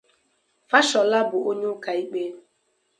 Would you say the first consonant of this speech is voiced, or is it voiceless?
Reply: voiceless